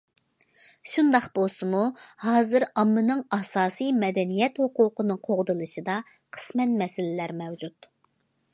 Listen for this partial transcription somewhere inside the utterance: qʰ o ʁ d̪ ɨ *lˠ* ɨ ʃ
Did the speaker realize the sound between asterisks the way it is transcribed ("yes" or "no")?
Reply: yes